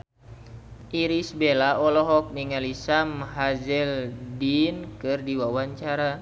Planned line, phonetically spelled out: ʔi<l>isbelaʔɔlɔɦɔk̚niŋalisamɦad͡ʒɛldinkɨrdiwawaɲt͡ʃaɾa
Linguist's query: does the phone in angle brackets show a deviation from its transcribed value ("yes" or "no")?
yes